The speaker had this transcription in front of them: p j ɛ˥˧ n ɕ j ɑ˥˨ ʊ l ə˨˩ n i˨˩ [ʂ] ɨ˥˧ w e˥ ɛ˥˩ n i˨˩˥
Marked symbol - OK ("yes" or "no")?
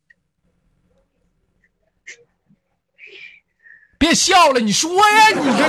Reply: yes